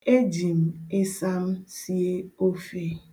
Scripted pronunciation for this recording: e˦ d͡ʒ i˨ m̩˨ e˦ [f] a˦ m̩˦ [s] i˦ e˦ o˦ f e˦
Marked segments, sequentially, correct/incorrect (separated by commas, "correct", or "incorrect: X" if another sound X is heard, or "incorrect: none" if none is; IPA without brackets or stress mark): incorrect: s, correct